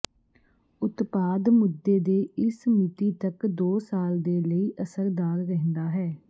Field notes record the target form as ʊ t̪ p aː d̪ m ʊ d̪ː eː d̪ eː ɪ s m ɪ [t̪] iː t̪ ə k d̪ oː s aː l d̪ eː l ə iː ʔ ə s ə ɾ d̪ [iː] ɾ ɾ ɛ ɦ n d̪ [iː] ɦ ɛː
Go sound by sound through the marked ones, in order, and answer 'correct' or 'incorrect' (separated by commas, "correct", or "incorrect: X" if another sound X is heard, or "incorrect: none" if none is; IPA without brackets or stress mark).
correct, incorrect: aː, incorrect: aː